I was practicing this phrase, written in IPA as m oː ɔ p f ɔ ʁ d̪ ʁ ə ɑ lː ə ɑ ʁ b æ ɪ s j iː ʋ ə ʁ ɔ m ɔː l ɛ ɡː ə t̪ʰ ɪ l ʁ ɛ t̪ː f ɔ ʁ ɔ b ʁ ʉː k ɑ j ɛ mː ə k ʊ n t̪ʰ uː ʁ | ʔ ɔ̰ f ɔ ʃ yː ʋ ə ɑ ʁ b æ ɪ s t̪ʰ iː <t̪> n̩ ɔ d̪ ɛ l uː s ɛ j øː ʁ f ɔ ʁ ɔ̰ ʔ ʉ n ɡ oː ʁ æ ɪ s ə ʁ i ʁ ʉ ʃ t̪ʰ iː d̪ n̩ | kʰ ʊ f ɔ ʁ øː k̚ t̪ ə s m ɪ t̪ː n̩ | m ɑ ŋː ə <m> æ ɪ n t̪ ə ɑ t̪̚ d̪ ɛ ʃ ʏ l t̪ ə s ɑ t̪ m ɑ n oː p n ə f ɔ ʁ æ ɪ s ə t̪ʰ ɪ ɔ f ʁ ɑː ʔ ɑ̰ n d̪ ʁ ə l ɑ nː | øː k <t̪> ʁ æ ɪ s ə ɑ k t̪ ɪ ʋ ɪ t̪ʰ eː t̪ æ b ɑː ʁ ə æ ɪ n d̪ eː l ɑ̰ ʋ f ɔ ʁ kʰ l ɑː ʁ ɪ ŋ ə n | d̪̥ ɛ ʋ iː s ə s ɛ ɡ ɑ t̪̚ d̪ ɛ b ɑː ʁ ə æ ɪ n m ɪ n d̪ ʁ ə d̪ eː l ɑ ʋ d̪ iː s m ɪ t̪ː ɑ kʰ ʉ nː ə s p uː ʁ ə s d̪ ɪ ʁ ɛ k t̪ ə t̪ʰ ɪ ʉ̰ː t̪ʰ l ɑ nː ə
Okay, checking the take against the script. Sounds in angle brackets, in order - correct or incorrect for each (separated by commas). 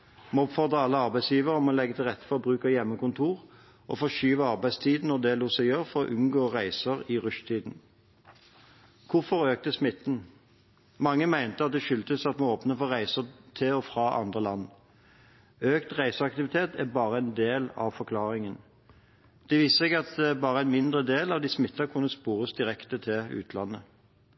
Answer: incorrect, correct, correct